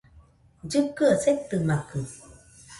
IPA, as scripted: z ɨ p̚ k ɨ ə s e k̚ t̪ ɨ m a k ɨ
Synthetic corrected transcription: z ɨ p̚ k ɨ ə s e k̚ t̪ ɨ m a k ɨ